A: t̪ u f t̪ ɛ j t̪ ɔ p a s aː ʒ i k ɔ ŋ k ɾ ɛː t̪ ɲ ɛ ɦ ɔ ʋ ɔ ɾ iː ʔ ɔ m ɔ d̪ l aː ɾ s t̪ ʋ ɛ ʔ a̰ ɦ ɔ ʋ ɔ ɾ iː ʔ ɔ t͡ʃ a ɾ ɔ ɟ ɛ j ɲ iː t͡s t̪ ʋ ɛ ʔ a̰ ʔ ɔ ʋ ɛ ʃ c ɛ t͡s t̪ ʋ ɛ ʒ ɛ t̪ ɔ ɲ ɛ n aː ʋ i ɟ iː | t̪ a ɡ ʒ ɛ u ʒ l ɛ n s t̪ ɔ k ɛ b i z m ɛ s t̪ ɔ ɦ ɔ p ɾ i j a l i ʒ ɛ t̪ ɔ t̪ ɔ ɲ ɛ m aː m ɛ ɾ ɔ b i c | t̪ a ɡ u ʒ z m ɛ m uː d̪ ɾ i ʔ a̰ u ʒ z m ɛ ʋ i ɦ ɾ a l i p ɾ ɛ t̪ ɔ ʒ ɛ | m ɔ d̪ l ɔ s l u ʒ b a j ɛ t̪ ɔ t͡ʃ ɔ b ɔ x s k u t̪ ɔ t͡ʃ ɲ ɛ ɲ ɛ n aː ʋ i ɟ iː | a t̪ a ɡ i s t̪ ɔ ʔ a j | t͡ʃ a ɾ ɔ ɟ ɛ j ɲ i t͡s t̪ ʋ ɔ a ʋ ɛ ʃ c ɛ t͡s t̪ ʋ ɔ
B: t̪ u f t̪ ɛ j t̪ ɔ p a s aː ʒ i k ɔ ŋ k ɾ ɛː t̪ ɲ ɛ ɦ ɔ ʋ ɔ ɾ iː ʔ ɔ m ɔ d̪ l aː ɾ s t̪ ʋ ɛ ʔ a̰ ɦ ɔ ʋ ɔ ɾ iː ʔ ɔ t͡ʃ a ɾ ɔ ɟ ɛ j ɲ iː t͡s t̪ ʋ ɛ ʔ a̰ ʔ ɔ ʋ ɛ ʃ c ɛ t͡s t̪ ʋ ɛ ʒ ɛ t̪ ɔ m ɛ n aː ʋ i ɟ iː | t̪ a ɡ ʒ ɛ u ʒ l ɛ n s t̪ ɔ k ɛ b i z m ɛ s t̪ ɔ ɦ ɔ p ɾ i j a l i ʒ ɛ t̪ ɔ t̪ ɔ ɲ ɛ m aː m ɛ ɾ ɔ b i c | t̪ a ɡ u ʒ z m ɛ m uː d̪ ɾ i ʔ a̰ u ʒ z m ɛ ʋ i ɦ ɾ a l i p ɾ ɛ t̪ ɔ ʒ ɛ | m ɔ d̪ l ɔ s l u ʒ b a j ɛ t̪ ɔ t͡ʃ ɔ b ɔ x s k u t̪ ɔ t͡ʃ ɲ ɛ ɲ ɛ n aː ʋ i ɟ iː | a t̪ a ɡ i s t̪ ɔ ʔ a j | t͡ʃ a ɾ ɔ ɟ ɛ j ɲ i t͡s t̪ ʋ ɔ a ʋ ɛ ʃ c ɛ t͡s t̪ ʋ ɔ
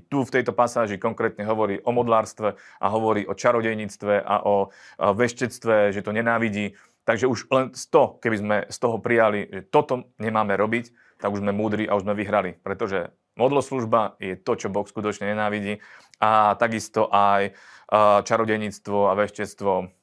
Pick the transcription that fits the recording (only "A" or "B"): A